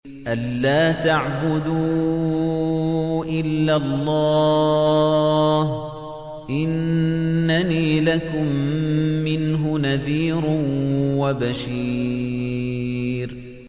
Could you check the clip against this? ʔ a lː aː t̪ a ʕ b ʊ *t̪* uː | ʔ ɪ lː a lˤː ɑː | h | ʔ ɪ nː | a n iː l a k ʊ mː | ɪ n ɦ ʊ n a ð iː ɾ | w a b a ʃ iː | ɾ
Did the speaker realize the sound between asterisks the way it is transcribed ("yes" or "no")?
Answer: no